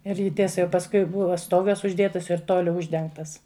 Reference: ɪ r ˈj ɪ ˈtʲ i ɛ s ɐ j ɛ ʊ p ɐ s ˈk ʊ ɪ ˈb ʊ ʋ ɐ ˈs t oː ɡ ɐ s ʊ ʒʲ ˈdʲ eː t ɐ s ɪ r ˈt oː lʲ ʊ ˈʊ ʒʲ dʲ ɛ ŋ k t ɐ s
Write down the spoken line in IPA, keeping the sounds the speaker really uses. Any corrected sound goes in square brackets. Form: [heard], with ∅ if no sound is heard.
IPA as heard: ɪ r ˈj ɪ ˈtʲ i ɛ s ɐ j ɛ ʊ p ɐ s ˈk ʊ ɪ ˈb ʊ ʋ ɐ ˈs t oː ɡ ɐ s ʊ ʒʲ ˈdʲ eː t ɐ s ɪ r ˈt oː lʲ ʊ ˈʊ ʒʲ dʲ ɛ ŋ k t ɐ s